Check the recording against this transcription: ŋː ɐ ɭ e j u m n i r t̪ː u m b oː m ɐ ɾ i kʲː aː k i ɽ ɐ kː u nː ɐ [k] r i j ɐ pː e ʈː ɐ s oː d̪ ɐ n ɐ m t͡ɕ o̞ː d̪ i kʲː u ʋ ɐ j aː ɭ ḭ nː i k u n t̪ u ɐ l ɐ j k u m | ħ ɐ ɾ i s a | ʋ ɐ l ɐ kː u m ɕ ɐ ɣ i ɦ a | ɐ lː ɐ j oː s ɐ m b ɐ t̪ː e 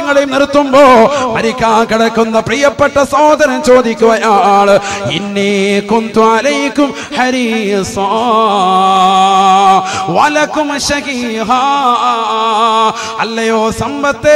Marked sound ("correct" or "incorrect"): incorrect